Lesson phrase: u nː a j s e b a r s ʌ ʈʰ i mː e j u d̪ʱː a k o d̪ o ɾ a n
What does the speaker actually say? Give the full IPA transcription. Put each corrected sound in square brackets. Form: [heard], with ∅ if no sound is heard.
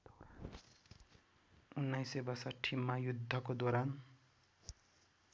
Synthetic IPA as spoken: u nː a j s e b [ʌ] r s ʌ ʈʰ i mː [a] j u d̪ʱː [ʌ] k o d̪ o ɾ a n